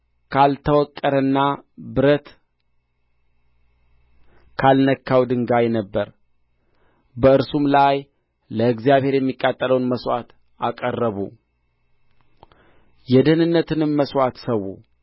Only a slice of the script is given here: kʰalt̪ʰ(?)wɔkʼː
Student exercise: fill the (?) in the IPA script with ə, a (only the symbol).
ə